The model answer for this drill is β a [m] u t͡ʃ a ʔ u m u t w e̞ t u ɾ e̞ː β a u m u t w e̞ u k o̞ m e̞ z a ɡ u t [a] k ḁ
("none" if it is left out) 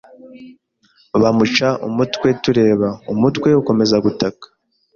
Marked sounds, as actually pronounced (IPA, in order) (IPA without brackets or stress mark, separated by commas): m, a